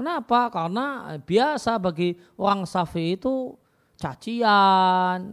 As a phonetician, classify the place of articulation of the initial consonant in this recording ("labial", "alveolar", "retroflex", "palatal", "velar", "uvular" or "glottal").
velar